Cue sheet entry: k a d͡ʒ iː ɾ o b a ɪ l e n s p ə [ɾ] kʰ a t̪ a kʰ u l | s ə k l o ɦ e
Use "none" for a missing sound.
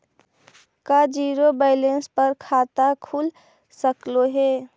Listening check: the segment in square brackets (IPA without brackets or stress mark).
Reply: ɾ